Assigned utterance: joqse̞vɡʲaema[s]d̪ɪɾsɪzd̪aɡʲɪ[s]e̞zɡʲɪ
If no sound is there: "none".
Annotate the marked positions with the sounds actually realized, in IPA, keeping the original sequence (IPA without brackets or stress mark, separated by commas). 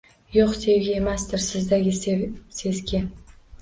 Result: s, s